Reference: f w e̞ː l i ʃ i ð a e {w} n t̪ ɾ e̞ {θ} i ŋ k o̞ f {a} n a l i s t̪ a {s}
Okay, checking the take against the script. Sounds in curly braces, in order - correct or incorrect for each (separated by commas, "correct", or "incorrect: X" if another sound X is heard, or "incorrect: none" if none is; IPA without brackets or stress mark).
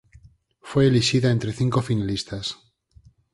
incorrect: none, correct, incorrect: i, correct